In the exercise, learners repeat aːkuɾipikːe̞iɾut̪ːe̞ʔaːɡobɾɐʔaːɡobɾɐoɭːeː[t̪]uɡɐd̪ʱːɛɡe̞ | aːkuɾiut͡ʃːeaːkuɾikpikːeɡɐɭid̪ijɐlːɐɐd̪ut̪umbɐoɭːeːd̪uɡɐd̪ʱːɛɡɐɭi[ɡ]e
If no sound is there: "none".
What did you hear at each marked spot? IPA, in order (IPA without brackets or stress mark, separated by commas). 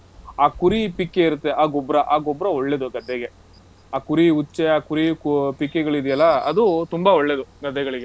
d̪, ɡ